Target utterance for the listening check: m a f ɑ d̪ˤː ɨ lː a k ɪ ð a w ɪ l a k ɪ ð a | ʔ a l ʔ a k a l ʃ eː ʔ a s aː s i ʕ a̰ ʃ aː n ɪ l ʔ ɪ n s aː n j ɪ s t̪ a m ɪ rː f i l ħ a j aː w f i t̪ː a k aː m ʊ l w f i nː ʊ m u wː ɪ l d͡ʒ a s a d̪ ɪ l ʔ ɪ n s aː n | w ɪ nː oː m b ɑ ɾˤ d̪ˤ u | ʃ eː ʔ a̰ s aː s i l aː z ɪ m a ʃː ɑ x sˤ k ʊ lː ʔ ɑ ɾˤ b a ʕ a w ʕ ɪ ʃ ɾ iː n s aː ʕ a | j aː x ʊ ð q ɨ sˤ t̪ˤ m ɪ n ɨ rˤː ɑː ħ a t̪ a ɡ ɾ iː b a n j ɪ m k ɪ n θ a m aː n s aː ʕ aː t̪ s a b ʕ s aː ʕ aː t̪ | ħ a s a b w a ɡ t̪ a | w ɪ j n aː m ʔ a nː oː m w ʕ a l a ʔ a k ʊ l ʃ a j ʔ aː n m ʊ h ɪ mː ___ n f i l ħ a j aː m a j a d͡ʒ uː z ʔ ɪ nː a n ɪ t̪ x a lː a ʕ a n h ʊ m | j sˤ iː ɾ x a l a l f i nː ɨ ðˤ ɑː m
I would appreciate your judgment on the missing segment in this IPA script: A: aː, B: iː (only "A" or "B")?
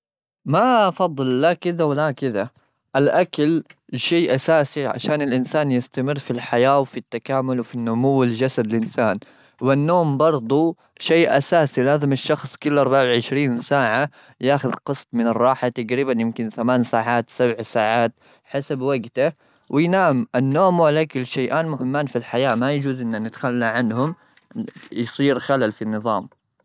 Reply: A